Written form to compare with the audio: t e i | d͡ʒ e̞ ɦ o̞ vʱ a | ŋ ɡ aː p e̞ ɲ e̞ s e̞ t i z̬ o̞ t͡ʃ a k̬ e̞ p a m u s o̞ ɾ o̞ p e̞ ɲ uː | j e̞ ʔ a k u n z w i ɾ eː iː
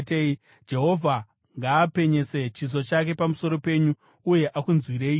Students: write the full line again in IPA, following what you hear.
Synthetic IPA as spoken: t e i | d͡ʒ e̞ ɦ o̞ vʱ a | ŋ ɡ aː p e̞ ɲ e̞ s e̞ t͡ʃ i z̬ o̞ t͡ʃ a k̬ e̞ p a m u s o̞ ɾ o̞ p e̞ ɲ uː | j e̞ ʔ a k u n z w i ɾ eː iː

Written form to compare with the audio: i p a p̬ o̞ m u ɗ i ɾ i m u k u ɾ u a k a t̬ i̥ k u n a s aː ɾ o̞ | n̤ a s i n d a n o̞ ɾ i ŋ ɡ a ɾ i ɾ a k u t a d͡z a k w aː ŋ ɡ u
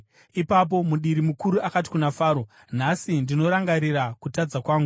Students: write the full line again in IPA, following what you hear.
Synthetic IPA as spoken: i p a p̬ o̞ m u ɗ i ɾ i m u k u ɾ u a k a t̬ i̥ k u n a f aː ɾ o̞ | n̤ a s i n d i n o̞ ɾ a ŋ ɡ a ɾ i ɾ a k u t a d͡z a k w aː ŋ ɡ u

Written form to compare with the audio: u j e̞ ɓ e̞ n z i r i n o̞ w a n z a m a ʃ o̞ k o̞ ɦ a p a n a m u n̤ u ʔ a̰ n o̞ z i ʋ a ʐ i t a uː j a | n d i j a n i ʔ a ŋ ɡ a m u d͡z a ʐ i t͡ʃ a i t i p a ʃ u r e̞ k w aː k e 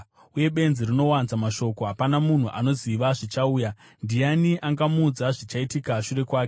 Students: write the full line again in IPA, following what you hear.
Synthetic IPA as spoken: u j e̞ ɓ e̞ n z i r i n o̞ w a n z a m a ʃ o̞ k o̞ ɦ a p a n a m u n̤ u ʔ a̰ n o̞ z i ʋ a ʐ i t͡ʃ a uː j a | n d i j a n i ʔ a ŋ ɡ a m u d͡z a ʐ i t͡ʃ a i t i k a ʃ u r e̞ k w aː k e

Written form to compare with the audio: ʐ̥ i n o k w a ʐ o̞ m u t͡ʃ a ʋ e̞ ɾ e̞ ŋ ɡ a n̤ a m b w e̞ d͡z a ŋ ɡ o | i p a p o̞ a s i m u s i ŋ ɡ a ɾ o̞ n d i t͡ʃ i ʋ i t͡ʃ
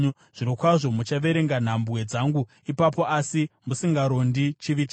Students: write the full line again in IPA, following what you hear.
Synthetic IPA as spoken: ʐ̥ i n o k w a ʐ o̞ m u t͡ʃ a ʋ e̞ ɾ e̞ ŋ ɡ a n̤ a m b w e̞ d͡z a ŋ ɡ u | i p a p o̞ a s i m u s i ŋ ɡ a ɾ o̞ n d i t͡ʃ i ʋ i t͡ʃ

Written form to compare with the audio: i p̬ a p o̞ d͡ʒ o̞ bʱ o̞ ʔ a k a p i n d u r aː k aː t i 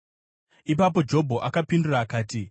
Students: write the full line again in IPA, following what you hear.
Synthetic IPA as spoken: i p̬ a p o̞ d͡ʒ o̞ bʱ o̞ ʔ a k a p i n d u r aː k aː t i

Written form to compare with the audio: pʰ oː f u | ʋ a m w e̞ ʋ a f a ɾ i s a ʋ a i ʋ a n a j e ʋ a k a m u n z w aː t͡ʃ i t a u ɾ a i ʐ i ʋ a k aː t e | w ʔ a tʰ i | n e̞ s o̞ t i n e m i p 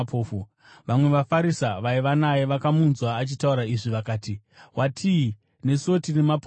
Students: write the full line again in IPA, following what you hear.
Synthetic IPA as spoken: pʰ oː f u | ʋ a m w e̞ ʋ a f a ɾ i s a ʋ a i ʋ a n a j e ʋ a k a m u n z w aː t͡ʃ i t a u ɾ a i ʐ i ʋ a k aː t i | w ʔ a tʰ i | n e̞ s o̞ t i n e m a p

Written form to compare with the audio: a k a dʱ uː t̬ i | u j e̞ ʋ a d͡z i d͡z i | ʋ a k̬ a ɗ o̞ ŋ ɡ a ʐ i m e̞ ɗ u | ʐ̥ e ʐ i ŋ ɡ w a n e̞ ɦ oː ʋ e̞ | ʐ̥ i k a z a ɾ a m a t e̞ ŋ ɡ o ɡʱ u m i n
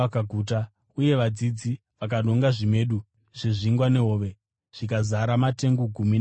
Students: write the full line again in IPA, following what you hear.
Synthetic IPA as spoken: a k a ɡʱ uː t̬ a | u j e̞ ʋ a d͡z i d͡z i | ʋ a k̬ a ɗ o̞ ŋ ɡ a ʐ i m e̞ ɗ u | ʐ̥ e ʐ i ŋ ɡ w a n e̞ ɦ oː ʋ e̞ | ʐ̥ i k a z a ɾ a m a t e̞ ŋ ɡ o ɡʱ u m i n

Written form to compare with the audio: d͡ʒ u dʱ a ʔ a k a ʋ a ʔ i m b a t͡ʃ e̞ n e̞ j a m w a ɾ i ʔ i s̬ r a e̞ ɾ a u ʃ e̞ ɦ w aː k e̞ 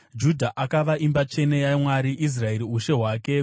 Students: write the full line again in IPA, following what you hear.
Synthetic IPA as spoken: d͡ʒ u dʱ a ʔ a k a ʋ a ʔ i m b a t͡ʃ e̞ n e̞ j a m w a ɾ i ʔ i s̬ r a e̞ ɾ i u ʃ e̞ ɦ w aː k e̞

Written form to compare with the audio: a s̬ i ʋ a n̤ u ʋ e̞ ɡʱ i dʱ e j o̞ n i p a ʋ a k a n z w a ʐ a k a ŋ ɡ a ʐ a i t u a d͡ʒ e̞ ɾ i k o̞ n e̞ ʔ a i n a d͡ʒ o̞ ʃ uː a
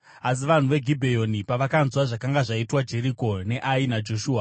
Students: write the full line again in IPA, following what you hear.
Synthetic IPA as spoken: a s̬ i ʋ a n̤ u ʋ e̞ ɡʱ i bʱ e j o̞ n i p a ʋ a k a n z w a ʐ a k a ŋ ɡ a ʐ a i t w a d͡ʒ e̞ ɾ i k o̞ n e̞ ʔ a i n a d͡ʒ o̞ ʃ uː a

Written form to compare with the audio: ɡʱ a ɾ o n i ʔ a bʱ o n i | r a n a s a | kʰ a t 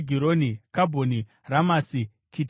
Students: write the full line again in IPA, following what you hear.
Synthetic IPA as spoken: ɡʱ i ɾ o n i k a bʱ o n i | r a m a s i | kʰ i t

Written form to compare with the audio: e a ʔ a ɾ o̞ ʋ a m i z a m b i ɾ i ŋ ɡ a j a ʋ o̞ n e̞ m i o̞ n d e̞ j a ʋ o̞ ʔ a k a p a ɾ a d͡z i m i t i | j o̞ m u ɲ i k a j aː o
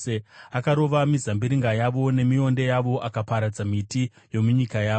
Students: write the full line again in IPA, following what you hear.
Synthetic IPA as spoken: e a k a ɾ o̞ ʋ a m i z a m b i ɾ i ŋ ɡ a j a ʋ o̞ n e̞ m i o̞ n d e̞ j a ʋ o̞ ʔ a k a p a ɾ a d͡z a m i t i | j o̞ m u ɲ i k a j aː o

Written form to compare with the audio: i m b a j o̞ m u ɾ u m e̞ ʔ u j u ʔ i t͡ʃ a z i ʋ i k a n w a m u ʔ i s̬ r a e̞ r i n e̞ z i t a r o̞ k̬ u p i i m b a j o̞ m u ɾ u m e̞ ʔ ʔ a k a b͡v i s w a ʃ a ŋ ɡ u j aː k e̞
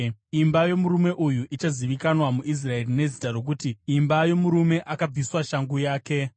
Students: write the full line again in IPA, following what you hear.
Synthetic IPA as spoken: i m b a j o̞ m u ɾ u m e̞ ʔ u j u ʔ i t͡ʃ a z i ʋ i k a n w a m u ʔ i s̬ r a e̞ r i n e̞ z i t a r o̞ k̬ u t i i m b a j o̞ m u ɾ u m e̞ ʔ ʔ a k a b͡v i s w a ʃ a ŋ ɡ u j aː k e̞

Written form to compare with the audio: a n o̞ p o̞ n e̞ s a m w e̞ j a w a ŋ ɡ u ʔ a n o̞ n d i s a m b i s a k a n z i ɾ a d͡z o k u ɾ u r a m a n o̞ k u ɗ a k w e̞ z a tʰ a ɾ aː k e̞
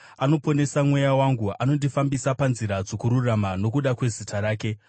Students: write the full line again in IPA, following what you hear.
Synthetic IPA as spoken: a n o̞ p o̞ n e̞ s a m w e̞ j a w a ŋ ɡ u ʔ a n o̞ n d i f a m b i s a p a n z i ɾ a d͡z o k u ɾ u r a m a n o̞ k u ɗ a k w e̞ z i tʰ a ɾ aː k e̞

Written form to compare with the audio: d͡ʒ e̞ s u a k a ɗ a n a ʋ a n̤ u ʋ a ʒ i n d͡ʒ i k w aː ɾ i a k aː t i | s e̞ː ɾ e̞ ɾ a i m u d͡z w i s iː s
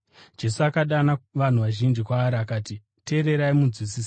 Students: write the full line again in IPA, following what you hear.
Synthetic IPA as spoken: d͡ʒ e̞ s u a k a ɗ a n a ʋ a n̤ u ʋ a ʒ i n d͡ʒ i k w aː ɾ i a k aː t i | t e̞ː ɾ e̞ ɾ a i m u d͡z w i s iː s

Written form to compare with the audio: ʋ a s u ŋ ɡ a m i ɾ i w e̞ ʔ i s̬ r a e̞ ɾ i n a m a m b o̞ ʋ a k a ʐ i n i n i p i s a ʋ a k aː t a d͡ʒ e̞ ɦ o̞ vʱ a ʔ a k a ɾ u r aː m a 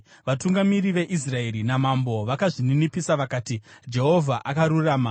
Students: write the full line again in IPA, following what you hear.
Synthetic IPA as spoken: ʋ a t u ŋ ɡ a m i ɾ i ʋ e̞ ʔ i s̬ r a e̞ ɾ i n a m a m b o̞ ʋ a k a ʐ i n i n i p i s a ʋ a k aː t i d͡ʒ e̞ ɦ o̞ vʱ a ʔ a k a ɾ u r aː m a

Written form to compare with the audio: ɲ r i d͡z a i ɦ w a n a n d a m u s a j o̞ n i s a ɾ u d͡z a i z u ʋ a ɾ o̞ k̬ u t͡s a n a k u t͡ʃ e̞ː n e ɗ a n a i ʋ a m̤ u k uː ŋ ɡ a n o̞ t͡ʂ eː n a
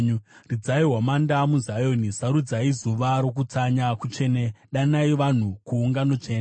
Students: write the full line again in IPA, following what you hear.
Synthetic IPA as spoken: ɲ r i d͡z a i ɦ w a m a n d a m u z a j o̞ n i s a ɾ u d͡z a i z u ʋ a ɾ o̞ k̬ u t͡s a ɲ a k u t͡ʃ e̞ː n e ɗ a n a i ʋ a n̤ u k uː ŋ ɡ a n o̞ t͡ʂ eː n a

